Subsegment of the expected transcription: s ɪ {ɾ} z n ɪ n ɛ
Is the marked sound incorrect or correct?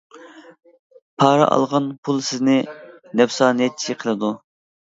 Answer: incorrect